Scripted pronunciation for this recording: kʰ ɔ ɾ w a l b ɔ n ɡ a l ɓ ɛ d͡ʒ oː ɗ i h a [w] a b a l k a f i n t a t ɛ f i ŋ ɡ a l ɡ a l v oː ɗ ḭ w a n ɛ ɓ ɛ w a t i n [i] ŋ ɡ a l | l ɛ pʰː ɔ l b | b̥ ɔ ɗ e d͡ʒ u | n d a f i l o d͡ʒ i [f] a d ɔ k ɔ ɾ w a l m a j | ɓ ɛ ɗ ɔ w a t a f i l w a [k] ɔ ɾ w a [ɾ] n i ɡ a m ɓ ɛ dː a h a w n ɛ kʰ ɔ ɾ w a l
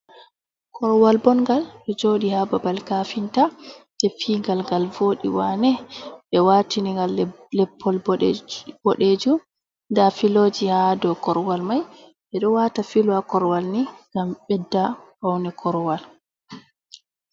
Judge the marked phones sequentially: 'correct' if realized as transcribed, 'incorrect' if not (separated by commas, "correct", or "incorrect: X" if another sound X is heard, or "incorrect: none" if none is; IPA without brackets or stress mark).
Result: incorrect: b, correct, incorrect: h, correct, incorrect: l